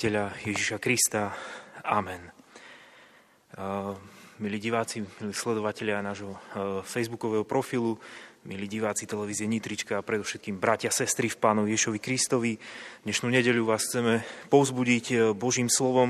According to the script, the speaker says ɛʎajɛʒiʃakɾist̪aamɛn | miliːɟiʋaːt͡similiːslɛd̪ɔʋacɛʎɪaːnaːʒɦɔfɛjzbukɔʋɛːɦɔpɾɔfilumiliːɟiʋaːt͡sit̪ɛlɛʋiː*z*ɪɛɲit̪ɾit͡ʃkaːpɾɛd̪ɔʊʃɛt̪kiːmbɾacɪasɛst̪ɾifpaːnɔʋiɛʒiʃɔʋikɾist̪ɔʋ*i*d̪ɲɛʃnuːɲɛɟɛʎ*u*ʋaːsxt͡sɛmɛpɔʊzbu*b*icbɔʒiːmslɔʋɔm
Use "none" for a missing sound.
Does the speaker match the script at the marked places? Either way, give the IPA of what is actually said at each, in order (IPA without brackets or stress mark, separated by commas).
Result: z, i, u, ɟ